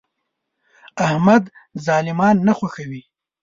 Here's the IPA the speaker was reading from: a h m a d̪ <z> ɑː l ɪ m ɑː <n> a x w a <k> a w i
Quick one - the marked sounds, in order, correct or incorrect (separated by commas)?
correct, incorrect, incorrect